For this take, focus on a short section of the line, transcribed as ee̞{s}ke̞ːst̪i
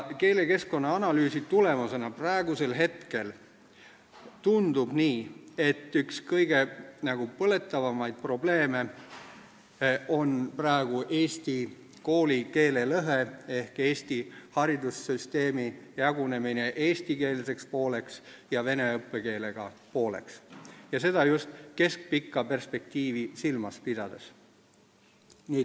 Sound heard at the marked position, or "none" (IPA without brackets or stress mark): h